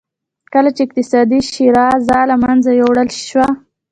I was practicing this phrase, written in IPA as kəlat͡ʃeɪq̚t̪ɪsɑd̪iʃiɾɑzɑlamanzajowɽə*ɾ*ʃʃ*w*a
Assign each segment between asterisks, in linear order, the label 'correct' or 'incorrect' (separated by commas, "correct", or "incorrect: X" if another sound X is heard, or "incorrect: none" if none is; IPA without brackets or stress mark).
incorrect: l, correct